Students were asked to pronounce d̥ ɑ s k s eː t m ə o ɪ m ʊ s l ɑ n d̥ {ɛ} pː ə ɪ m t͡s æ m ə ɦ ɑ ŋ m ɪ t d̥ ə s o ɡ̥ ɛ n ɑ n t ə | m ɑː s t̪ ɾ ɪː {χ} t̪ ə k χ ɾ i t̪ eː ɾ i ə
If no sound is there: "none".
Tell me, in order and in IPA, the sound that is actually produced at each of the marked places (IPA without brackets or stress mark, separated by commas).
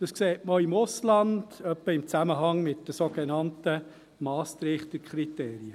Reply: œ, χ